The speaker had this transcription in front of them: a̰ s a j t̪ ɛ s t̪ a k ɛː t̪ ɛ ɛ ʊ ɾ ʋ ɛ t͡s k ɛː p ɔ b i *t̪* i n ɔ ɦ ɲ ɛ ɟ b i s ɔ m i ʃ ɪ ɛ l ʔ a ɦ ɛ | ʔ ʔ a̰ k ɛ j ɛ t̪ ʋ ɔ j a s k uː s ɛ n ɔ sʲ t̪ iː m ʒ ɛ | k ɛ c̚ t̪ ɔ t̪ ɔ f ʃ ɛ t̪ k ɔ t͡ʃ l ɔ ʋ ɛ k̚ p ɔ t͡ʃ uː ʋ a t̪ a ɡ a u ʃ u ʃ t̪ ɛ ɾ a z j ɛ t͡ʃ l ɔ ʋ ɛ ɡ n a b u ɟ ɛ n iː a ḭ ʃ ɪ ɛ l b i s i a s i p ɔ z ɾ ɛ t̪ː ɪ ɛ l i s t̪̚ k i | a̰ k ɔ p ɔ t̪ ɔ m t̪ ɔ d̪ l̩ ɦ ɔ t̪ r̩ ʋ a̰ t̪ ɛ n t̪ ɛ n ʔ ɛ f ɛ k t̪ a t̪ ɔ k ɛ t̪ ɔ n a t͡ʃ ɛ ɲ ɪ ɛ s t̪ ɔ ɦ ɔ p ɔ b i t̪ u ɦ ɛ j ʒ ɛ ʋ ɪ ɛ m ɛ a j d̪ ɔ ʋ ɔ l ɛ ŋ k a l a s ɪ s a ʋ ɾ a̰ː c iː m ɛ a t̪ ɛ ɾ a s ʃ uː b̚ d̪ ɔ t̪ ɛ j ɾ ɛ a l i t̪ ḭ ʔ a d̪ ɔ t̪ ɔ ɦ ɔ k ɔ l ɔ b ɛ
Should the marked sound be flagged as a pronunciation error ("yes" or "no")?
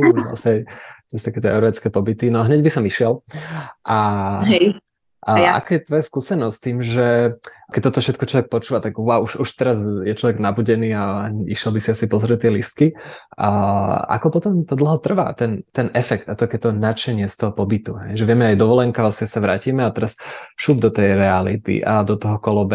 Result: no